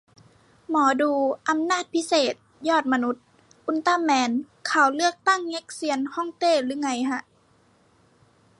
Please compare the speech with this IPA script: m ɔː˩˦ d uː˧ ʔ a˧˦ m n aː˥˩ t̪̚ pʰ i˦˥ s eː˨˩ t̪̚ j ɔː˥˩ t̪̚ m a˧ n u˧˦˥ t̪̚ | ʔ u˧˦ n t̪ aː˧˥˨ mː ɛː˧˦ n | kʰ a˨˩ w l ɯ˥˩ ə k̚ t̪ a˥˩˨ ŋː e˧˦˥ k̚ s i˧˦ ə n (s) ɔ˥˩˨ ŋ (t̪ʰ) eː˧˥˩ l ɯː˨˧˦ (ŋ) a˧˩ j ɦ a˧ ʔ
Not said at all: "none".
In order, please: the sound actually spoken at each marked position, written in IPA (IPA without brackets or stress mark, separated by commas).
h, t̪, ŋ